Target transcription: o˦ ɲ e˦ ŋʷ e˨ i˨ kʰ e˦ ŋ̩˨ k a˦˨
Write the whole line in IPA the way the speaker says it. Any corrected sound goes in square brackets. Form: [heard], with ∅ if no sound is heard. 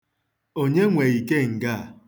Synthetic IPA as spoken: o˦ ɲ e˦ ŋʷ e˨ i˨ [k] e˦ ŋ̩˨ [ɡ] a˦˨